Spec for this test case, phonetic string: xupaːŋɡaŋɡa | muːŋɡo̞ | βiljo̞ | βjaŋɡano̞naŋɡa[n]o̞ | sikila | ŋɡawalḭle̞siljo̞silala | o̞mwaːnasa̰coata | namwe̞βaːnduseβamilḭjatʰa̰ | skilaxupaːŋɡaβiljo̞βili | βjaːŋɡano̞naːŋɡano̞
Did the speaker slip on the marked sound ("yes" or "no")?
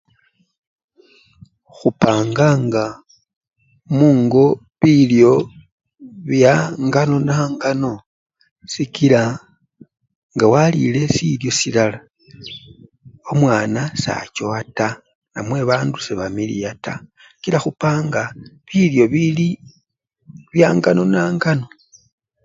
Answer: no